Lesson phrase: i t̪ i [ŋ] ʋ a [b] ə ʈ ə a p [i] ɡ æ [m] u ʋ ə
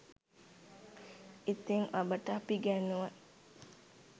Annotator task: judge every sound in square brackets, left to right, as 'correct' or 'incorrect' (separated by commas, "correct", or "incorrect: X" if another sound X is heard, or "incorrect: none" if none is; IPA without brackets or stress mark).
correct, correct, correct, incorrect: n